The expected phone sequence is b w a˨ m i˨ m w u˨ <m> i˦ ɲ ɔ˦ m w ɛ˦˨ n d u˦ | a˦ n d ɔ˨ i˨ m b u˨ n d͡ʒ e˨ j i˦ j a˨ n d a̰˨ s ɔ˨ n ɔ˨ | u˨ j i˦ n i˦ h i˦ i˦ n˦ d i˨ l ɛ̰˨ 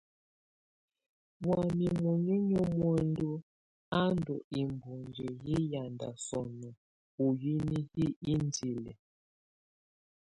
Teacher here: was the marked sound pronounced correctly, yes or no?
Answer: no